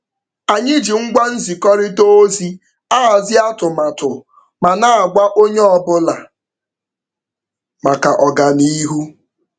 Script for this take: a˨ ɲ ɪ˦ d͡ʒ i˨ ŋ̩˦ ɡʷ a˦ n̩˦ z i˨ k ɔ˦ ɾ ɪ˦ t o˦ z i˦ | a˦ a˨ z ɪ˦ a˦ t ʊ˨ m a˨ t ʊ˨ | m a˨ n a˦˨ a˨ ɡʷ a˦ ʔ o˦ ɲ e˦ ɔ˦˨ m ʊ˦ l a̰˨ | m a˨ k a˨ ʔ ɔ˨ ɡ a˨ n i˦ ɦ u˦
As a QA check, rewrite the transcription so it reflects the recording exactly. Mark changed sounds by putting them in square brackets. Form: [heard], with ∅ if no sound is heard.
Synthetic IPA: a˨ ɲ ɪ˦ d͡ʒ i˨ ŋ̩˦ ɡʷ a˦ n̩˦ z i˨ k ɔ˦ ɾ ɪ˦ t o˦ z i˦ | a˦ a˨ z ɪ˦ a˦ t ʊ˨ m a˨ t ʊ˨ | m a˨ n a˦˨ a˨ ɡʷ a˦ ʔ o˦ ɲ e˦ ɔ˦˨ [b] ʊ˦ l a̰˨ | m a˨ k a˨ ʔ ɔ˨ ɡ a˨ n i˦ ɦ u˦